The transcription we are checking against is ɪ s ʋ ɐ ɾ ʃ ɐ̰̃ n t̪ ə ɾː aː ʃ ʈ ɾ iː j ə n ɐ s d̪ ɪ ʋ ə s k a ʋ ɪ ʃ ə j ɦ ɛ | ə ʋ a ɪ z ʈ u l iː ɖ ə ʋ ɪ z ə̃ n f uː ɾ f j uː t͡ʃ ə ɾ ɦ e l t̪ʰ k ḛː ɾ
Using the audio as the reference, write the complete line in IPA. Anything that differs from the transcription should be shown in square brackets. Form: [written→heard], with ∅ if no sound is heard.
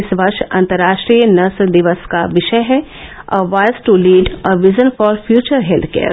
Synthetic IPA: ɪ s ʋ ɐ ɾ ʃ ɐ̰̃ n t̪ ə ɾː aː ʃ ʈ ɾ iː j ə n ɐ s d̪ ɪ ʋ ə s k a ʋ ɪ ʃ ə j ɦ ɛ | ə ʋ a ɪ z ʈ u l iː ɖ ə ʋ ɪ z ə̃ n f [uː→ɔː] ɾ f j uː t͡ʃ ə ɾ ɦ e l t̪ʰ k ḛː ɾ